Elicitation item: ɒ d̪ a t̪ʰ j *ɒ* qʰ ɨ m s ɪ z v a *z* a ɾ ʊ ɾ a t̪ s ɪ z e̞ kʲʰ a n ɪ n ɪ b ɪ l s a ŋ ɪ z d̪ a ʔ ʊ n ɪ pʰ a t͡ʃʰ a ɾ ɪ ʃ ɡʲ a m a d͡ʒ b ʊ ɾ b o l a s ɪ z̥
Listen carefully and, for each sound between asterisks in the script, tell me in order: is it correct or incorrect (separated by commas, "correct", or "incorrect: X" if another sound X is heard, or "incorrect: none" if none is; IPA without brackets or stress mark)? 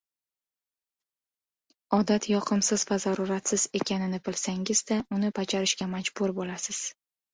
correct, correct